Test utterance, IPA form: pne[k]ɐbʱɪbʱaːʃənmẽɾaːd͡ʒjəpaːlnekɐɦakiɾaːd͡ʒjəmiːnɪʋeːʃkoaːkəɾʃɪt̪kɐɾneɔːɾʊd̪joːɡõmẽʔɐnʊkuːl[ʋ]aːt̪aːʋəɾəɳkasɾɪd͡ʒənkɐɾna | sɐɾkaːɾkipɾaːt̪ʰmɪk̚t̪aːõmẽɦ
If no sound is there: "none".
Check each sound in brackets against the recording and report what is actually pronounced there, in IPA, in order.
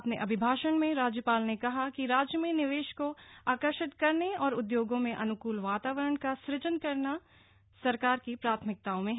ʔ, ʋ

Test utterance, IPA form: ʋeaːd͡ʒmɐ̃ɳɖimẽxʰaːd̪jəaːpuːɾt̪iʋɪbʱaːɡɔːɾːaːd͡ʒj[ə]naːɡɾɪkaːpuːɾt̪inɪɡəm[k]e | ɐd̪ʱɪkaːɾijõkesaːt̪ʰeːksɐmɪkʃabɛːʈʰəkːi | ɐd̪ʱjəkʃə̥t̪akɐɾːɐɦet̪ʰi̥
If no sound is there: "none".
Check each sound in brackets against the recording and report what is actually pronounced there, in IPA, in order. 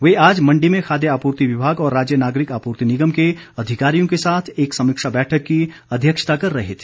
ə, k

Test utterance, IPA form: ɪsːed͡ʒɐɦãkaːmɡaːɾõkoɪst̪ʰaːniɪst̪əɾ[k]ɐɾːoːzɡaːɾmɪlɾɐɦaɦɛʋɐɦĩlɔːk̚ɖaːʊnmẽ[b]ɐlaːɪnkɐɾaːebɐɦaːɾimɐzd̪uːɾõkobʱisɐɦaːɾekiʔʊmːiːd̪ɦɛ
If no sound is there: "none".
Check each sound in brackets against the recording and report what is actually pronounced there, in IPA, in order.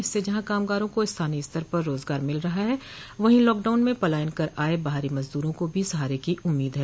p, p

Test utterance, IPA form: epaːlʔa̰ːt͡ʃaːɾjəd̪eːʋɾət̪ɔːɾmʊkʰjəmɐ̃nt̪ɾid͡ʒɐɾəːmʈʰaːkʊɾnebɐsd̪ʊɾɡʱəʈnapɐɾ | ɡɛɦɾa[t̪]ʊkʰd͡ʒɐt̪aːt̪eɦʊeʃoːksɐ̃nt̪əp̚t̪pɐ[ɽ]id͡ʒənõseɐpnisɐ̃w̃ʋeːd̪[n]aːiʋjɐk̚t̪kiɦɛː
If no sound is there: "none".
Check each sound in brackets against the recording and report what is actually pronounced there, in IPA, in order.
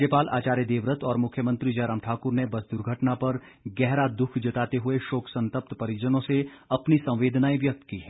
d̪, ɾ, n

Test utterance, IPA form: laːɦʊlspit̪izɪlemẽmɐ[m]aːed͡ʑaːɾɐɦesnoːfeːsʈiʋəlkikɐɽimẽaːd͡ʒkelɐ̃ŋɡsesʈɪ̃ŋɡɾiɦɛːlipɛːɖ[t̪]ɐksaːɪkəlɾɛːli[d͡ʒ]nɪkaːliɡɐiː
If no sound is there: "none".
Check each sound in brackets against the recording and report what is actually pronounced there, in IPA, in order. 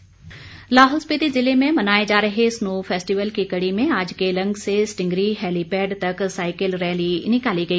n, t̪, none

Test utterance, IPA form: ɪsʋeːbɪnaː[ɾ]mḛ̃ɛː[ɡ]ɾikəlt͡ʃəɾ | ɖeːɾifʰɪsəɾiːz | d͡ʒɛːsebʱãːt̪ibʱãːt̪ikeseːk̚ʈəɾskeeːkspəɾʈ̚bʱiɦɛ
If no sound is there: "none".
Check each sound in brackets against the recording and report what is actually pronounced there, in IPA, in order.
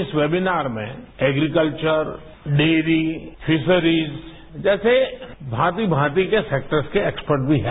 ɾ, ɡ

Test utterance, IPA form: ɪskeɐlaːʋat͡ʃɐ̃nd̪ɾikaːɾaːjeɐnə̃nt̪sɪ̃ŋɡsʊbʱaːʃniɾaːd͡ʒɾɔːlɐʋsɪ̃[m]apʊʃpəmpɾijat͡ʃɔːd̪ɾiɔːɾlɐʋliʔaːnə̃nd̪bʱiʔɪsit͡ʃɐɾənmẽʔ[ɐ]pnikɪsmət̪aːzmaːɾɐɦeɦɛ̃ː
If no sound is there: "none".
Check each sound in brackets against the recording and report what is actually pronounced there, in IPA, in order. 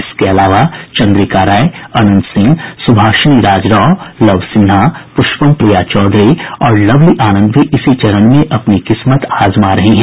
n, ɐ

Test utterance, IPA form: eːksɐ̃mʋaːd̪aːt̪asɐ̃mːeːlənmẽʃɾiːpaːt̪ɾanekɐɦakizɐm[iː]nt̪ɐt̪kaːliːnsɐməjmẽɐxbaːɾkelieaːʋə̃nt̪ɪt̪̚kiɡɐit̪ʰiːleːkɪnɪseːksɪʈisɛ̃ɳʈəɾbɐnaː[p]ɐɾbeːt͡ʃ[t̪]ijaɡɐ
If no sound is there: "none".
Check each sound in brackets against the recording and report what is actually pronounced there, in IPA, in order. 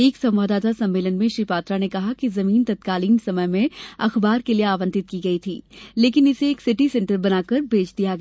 iː, k, d̪

